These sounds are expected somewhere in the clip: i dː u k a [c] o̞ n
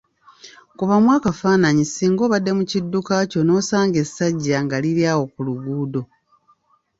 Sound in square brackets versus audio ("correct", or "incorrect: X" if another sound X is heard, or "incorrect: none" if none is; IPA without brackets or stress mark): correct